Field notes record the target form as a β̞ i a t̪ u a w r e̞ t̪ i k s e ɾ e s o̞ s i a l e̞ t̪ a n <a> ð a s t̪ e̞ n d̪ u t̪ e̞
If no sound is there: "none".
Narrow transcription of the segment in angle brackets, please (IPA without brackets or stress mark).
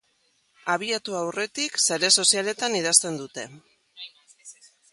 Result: i